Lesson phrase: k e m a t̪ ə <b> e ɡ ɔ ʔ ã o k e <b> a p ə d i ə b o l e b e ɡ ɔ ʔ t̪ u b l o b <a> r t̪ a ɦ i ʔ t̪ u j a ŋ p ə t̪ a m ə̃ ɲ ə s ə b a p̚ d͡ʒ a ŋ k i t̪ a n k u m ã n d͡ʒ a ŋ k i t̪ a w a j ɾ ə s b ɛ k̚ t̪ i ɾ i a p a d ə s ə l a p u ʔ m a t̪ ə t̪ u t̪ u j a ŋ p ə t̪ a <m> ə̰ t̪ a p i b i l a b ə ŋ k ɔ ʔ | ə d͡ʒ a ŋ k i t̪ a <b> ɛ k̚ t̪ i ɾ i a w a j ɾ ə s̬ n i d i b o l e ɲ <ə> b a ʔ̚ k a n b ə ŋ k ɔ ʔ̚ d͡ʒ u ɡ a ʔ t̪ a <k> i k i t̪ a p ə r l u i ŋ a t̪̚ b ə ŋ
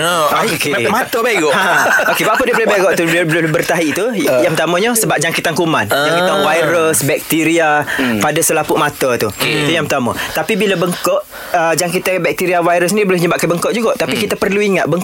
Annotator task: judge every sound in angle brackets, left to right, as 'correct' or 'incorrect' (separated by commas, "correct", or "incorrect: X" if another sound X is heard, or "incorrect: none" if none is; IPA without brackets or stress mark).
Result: correct, correct, incorrect: ə, correct, correct, correct, incorrect: p